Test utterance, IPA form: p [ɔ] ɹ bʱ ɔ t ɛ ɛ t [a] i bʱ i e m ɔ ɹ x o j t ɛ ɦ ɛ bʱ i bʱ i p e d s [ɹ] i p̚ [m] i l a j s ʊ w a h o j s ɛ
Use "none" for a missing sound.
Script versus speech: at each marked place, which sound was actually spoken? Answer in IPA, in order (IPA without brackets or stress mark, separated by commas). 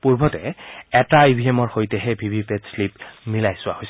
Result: u, a, l, m